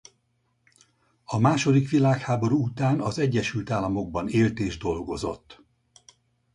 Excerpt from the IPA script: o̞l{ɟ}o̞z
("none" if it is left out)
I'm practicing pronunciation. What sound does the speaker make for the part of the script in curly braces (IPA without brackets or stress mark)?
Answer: ɡ